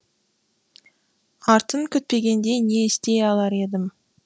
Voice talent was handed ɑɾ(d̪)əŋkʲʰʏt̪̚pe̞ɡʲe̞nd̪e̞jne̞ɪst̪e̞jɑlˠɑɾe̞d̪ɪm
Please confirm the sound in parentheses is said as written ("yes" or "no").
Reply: no